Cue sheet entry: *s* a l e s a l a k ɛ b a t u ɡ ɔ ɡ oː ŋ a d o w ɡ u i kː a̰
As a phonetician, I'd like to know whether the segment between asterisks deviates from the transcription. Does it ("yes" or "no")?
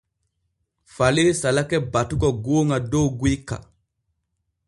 yes